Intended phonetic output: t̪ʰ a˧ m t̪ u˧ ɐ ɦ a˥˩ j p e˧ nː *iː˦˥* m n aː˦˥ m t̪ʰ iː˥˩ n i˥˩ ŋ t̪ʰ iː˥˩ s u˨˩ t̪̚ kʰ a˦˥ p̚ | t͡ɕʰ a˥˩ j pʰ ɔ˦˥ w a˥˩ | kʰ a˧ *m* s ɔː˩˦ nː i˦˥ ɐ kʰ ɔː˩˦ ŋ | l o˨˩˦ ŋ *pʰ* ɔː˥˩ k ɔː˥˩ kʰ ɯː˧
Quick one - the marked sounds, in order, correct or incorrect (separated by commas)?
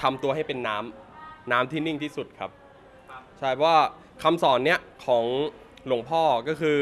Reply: incorrect, correct, correct